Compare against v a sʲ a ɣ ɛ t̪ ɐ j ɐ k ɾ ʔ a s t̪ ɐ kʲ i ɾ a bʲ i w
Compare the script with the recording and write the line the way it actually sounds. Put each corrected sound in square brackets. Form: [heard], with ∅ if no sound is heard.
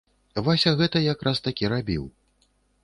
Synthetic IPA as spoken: v a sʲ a ɣ ɛ t̪ ɐ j [a] k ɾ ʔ a s t̪ [a] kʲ i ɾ a bʲ i w